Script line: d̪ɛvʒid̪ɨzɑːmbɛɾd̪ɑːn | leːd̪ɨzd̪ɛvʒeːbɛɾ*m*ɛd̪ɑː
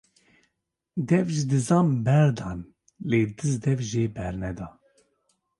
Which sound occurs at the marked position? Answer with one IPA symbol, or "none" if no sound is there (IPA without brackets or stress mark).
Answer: n